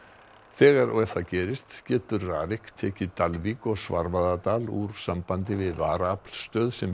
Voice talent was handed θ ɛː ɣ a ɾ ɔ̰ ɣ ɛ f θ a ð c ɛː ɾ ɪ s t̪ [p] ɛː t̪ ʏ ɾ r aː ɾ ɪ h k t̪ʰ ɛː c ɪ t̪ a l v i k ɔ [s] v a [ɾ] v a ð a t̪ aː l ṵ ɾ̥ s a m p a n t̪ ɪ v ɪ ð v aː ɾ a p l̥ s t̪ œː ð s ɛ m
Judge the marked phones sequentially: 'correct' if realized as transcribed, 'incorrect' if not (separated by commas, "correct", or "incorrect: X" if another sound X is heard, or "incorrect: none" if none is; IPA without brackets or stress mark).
incorrect: c, correct, correct